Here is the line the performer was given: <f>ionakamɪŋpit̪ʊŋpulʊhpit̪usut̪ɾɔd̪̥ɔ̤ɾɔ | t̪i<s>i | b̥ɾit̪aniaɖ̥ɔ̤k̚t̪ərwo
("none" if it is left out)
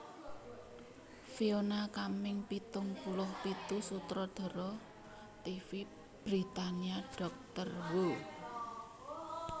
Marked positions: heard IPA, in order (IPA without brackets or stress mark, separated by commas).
f, f